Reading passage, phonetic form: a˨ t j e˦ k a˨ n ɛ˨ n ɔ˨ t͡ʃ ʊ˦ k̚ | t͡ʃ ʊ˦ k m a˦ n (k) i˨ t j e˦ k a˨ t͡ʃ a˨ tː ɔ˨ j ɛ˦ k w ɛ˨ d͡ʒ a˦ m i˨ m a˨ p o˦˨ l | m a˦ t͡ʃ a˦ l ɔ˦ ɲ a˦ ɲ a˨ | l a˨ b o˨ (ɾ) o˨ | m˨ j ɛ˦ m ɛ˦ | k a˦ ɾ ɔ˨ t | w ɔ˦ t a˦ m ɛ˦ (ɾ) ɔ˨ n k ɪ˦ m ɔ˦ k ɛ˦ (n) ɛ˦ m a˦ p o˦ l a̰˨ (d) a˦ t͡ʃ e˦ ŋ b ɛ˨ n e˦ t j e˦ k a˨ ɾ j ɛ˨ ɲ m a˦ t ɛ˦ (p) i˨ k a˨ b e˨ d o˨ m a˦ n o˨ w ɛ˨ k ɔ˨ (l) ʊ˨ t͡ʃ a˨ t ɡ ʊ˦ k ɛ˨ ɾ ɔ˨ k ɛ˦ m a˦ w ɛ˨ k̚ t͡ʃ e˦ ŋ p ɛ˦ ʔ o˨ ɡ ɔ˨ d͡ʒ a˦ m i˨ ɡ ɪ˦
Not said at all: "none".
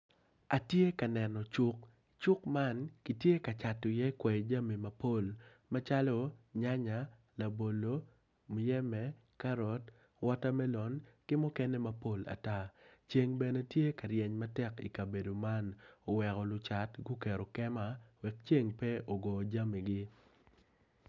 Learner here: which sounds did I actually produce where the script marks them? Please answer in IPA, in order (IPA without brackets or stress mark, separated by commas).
k, l, l, n, t, k, l